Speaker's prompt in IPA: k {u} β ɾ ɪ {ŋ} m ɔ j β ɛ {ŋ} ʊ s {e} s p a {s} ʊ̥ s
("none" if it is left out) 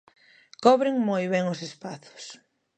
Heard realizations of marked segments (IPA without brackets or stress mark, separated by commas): ɔ, ŋ, ŋ, e, θ